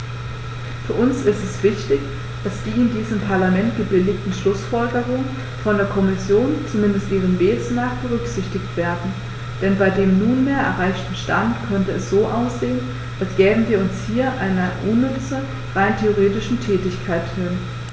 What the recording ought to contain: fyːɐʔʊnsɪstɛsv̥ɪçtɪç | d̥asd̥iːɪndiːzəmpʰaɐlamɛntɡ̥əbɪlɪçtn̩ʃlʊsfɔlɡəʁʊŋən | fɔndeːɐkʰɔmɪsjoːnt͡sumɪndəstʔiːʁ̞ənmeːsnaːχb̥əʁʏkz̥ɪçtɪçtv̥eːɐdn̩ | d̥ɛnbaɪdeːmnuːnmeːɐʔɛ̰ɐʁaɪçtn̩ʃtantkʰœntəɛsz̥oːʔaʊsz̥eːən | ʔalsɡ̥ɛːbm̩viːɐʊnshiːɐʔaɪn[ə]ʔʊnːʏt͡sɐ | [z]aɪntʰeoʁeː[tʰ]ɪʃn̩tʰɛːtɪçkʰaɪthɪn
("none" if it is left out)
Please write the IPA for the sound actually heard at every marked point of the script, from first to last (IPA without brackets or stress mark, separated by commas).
ɐ, ʁ, t